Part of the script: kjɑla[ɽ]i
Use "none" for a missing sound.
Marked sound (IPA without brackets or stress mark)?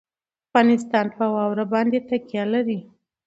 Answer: ɾ